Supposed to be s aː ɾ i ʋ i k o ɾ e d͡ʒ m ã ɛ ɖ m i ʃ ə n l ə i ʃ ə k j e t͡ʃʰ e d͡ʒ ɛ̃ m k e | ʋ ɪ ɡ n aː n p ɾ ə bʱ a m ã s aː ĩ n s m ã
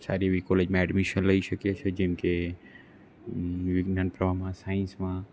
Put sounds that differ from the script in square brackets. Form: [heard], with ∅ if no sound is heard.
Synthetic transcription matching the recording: s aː ɾ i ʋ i k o [l] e d͡ʒ m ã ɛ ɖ m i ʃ ə n l ə i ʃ ə k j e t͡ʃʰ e d͡ʒ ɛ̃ m k e | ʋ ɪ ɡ n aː n p ɾ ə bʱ a m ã s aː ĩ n s m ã